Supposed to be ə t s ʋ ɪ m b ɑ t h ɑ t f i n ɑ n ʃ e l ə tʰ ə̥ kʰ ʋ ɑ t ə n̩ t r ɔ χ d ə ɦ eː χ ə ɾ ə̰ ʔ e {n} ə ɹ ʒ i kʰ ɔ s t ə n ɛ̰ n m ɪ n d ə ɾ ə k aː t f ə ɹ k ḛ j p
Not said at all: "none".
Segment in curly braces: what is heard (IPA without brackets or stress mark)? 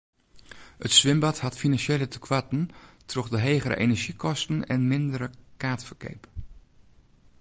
n